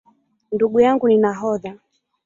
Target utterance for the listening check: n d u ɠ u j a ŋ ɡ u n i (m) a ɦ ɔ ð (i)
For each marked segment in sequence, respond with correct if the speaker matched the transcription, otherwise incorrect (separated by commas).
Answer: incorrect, incorrect